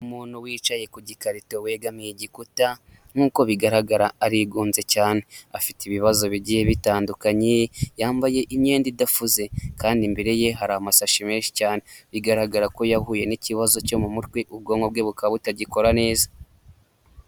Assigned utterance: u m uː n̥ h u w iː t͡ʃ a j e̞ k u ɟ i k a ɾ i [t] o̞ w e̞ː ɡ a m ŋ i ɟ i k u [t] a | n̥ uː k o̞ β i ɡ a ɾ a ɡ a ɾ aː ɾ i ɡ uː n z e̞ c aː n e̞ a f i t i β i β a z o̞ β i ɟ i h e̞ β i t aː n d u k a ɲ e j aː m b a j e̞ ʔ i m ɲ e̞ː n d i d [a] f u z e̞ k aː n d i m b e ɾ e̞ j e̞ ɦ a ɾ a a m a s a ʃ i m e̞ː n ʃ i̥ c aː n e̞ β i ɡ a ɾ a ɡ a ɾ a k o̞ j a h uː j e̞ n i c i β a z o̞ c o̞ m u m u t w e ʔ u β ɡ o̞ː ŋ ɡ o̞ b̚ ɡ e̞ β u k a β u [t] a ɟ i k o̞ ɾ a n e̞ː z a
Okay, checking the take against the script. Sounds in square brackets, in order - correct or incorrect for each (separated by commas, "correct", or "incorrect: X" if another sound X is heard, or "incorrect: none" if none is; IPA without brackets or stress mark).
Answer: correct, correct, correct, correct